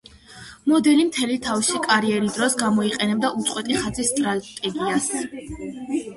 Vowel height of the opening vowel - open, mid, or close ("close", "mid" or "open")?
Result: mid